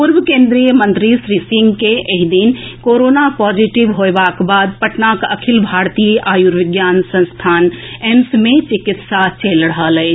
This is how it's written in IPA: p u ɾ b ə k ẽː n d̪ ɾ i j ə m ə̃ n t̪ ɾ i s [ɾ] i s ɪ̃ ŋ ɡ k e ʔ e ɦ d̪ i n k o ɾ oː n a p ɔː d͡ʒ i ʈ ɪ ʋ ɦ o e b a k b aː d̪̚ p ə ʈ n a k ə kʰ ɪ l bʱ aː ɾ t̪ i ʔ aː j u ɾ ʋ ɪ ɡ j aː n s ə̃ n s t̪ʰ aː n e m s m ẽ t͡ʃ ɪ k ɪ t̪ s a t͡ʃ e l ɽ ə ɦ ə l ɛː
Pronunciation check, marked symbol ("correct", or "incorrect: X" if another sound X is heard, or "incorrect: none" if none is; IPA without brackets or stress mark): correct